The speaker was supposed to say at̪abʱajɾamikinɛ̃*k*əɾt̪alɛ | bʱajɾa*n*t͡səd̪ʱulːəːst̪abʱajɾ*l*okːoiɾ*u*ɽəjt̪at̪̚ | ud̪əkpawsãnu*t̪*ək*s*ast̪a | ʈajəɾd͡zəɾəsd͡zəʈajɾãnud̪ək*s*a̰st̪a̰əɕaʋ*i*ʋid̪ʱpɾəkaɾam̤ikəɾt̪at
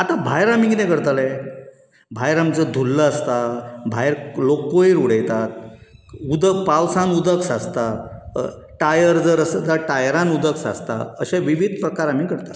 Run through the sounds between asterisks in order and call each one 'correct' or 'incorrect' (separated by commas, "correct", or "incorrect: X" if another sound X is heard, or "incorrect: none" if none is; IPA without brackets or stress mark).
correct, incorrect: m, correct, correct, incorrect: d̪, correct, correct, correct